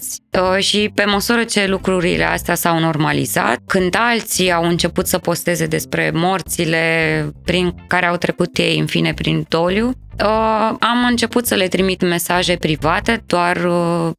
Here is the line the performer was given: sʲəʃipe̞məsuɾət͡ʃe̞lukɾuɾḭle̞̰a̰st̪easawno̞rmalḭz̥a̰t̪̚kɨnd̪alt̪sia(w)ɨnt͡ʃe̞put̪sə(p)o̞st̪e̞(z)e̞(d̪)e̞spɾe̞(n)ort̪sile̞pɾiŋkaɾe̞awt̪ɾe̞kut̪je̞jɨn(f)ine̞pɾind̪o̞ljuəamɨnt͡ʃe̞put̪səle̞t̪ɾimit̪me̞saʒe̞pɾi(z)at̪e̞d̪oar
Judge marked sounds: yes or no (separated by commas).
yes, yes, yes, yes, no, yes, no